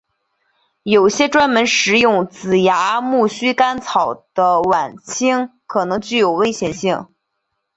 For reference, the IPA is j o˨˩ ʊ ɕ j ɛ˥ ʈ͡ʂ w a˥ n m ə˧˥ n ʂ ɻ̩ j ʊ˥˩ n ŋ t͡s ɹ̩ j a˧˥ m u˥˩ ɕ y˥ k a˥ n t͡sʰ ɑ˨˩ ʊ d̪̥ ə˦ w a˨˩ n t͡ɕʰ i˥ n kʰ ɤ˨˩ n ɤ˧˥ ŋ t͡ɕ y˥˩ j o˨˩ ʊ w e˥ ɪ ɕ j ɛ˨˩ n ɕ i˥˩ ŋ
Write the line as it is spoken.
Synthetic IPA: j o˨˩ ʊ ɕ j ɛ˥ ʈ͡ʂ w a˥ n m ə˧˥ n ʂ ɻ̩ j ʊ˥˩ ŋ t͡s ɹ̩ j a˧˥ m u˥˩ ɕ y˥ k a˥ n t͡sʰ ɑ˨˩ ʊ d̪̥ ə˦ w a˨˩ n t͡ɕʰ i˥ ŋ kʰ ɤ˨˩ n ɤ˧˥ ŋ t͡ɕ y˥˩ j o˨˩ ʊ w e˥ ɪ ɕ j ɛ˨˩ n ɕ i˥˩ ŋ